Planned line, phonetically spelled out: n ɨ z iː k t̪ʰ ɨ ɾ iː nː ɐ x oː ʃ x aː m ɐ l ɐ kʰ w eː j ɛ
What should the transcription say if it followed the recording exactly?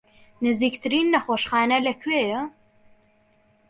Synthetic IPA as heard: n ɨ z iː k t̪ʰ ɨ ɾ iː nː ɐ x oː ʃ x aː n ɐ l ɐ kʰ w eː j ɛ